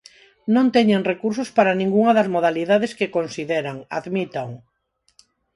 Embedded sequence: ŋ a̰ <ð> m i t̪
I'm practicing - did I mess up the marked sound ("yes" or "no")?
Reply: no